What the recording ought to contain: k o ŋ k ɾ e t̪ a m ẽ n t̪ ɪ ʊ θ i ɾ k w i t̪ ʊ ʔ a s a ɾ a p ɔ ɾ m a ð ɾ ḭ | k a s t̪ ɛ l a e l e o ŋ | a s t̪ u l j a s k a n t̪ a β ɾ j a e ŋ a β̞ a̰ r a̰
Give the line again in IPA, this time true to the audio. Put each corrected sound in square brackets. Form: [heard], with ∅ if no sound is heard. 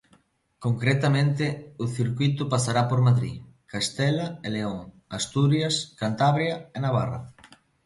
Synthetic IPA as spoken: k o ŋ k ɾ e t̪ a m ẽ n t̪ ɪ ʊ θ i ɾ k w i t̪ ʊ [p] a s a ɾ a p [o] ɾ m a ð ɾ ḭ | k a s t̪ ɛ l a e l e o ŋ | a s t̪ u [ɾ] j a s k a n t̪ a β ɾ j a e [n] a β̞ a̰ r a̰